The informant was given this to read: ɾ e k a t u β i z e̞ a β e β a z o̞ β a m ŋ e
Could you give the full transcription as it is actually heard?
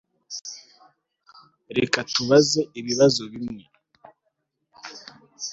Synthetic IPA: ɾ e k a t u β a z e̞ i β i β a z o̞ β i m ŋ e

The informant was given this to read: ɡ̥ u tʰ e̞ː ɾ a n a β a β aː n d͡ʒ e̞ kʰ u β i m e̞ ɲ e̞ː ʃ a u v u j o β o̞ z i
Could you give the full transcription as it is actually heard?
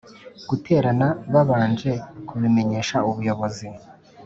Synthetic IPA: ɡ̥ u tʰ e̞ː ɾ a n a β a β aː n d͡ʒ e̞ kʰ u β i m e̞ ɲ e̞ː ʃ a u β u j o β o̞ z i

